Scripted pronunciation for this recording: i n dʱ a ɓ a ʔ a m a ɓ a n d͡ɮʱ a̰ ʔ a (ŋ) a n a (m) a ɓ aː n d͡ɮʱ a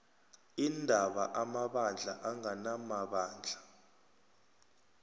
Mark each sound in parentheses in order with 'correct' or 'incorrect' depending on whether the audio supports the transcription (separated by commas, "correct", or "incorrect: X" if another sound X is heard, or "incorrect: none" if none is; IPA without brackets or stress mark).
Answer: correct, correct